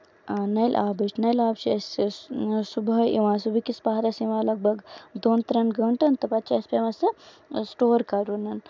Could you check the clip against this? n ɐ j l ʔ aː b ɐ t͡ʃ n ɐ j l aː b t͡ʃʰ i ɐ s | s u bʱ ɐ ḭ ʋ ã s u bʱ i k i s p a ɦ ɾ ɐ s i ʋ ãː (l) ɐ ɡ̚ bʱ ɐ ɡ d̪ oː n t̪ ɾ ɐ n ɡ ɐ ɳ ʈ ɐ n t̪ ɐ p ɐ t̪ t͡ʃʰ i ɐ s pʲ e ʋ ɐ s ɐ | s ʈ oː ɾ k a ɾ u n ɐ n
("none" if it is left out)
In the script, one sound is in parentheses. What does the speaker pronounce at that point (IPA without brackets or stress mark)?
l